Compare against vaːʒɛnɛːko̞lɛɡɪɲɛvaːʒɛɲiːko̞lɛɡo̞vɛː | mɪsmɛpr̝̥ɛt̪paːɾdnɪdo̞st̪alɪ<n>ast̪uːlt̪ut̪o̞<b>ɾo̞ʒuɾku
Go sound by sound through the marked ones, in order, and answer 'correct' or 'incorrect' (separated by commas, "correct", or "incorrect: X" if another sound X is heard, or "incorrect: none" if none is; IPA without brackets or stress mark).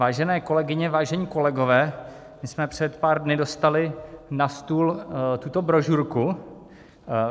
correct, correct